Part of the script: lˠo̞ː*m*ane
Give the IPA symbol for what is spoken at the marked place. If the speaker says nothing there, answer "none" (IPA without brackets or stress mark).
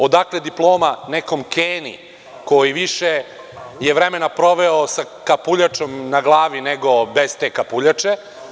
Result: m